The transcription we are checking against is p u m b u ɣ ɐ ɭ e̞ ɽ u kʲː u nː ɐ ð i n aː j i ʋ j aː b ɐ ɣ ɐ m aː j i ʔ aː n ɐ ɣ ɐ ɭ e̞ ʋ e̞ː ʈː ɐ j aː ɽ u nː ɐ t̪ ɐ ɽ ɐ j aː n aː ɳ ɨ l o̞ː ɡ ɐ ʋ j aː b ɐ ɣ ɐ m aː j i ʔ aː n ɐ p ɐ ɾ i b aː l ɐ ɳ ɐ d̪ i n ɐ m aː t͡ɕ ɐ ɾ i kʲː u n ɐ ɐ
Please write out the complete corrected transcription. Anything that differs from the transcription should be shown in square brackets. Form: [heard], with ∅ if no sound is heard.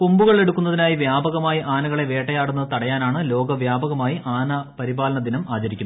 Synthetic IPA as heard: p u m b u ɣ ɐ ɭ e̞ ɽ u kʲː u nː ɐ ð i n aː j i ʋ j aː b ɐ ɣ ɐ m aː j i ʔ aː n ɐ ɣ ɐ ɭ e̞ ʋ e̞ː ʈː ɐ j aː ɽ u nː ɐ t̪ ɐ ɽ ɐ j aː n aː ɳ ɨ l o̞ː ɡ ɐ ʋ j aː b ɐ ɣ ɐ m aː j i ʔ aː n ɐ p ɐ ɾ i b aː l ɐ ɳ ɐ d̪ i n ɐ m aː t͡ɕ ɐ ɾ i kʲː u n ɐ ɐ